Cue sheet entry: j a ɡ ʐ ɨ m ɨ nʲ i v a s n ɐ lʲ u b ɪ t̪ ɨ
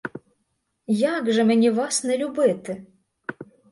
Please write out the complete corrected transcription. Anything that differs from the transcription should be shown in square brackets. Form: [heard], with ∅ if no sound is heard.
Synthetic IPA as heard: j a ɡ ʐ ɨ m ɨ nʲ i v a s n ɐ lʲ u b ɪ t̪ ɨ